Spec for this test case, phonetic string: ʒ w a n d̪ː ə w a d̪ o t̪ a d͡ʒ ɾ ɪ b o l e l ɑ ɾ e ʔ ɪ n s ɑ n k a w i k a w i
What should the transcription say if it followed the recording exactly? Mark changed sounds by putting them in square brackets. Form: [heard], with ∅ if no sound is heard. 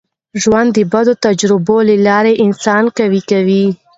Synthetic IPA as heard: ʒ w a n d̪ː ə [b] a d̪ o t̪ a d͡ʒ ɾ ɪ b o l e l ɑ ɾ e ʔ ɪ n s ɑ n k a w i k a w i